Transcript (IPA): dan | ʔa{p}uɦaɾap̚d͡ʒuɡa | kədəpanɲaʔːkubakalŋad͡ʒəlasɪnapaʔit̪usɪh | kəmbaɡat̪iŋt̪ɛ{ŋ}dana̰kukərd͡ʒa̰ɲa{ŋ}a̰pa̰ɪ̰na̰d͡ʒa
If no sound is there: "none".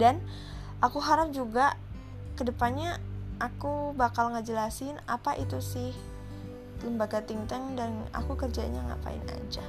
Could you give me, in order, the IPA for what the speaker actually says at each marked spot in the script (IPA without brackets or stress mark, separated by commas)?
k, ŋ, ŋ